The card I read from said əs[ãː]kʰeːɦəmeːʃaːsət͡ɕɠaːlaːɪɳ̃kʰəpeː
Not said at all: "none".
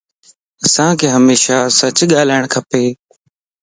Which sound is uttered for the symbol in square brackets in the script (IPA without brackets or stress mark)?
ãː